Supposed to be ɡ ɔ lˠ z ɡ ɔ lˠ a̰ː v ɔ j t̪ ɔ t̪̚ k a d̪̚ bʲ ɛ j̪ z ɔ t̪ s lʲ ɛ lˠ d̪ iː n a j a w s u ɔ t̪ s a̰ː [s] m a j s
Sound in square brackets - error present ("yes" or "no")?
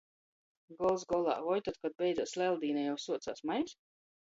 no